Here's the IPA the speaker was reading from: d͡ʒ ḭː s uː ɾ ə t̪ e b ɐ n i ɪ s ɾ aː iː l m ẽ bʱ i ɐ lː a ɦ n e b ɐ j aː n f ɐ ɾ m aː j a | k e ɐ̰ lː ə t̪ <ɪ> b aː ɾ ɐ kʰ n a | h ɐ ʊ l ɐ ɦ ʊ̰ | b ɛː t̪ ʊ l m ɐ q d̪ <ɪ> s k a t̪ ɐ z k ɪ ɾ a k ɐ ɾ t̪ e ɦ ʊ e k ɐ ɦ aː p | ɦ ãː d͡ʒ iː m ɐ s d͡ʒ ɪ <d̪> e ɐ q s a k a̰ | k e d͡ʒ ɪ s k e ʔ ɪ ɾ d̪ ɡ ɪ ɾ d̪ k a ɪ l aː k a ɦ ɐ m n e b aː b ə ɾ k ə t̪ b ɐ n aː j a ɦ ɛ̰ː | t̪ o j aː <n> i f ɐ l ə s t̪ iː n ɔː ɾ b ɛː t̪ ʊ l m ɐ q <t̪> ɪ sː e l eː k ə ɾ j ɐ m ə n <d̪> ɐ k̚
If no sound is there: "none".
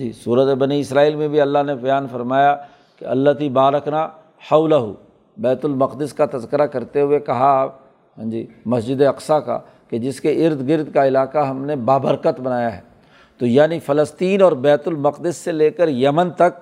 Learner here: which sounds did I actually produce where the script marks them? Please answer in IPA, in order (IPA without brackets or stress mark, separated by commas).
i, ɪ, d̪, n, d̪, t̪